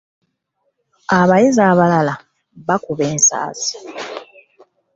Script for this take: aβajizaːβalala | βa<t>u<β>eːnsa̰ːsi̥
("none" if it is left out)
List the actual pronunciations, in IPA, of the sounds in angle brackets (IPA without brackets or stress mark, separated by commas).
k, β